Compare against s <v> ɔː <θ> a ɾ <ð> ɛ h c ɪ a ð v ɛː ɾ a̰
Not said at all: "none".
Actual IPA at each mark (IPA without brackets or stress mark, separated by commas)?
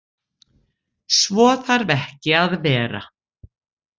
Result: v, θ, v